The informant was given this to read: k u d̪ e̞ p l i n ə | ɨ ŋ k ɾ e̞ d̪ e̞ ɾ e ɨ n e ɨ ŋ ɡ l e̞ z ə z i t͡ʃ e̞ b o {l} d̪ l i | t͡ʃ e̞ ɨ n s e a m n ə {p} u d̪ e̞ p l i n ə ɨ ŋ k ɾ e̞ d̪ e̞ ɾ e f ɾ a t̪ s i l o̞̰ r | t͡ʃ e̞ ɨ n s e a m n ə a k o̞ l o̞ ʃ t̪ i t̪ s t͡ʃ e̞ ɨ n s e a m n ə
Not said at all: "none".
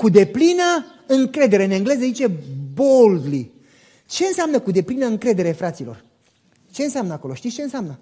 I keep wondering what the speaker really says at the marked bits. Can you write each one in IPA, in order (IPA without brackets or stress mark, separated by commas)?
l, k